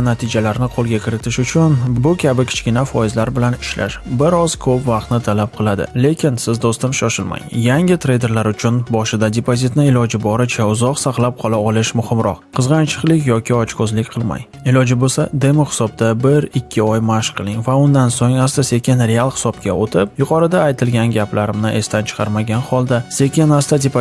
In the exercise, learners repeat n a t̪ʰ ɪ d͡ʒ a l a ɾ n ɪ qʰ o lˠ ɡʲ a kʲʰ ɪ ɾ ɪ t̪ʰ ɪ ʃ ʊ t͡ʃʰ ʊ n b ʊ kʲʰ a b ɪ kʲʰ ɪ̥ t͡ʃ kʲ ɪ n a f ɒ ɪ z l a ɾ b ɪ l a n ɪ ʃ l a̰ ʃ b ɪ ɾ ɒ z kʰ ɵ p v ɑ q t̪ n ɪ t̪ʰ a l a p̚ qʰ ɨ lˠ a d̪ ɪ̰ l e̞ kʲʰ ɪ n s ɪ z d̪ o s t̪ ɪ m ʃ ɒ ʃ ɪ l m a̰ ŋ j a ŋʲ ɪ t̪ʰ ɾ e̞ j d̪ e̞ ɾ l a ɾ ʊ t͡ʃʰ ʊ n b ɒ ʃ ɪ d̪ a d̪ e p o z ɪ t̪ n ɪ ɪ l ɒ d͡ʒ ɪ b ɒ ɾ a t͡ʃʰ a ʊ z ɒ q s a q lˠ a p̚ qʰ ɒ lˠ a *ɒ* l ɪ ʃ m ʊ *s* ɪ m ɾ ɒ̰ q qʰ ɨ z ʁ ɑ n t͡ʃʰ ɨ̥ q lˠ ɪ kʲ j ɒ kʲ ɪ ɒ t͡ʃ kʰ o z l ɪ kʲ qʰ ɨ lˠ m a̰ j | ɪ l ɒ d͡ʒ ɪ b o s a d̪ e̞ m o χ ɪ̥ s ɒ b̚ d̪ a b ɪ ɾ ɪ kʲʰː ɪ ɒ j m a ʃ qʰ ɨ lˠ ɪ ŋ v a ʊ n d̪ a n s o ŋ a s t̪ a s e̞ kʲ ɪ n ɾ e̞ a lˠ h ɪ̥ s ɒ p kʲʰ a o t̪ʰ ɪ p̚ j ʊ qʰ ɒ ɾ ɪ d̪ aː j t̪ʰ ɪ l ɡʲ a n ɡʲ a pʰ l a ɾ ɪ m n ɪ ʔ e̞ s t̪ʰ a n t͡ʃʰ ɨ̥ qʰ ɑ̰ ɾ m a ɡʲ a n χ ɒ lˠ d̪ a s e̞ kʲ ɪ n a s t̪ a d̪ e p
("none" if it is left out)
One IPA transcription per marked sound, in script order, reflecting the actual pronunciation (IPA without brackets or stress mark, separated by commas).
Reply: ɒ, h